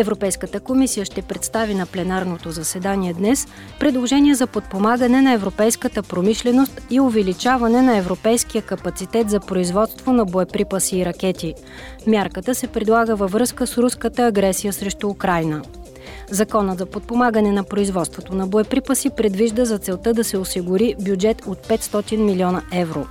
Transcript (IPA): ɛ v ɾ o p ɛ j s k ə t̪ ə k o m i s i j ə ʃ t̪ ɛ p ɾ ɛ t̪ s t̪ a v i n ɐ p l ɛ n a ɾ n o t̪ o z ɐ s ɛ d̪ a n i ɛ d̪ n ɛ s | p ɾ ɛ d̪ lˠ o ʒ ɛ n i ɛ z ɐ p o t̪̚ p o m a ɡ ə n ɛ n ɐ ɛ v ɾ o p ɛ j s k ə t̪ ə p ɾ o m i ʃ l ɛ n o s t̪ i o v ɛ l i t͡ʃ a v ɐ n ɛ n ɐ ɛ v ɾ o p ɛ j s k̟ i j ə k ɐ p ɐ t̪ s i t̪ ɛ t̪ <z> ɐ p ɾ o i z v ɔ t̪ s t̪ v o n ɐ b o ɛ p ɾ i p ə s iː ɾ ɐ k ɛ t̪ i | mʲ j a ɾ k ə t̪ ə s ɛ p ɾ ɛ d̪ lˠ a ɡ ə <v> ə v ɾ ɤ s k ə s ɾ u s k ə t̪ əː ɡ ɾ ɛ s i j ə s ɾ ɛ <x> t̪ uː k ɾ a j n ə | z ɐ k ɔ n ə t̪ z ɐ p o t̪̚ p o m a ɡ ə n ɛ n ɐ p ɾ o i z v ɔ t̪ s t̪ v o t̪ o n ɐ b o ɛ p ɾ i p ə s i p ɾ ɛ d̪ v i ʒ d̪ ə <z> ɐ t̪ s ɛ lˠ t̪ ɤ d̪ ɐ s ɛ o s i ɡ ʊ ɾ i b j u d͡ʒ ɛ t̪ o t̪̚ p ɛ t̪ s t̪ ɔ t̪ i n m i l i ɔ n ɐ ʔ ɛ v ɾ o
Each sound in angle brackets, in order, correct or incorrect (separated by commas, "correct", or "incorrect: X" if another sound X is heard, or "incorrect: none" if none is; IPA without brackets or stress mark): correct, correct, incorrect: ʃ, correct